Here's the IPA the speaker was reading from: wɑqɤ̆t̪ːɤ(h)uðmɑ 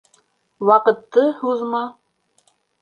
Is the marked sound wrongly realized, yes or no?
no